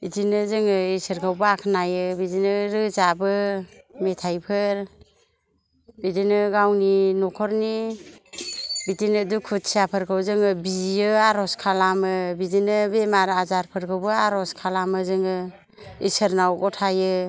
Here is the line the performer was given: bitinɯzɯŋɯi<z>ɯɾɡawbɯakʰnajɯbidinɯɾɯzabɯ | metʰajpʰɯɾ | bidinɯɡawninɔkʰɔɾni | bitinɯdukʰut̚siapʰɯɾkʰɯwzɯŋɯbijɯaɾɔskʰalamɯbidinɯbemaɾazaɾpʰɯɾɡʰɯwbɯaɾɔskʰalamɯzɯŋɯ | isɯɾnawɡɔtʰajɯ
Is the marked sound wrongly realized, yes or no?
yes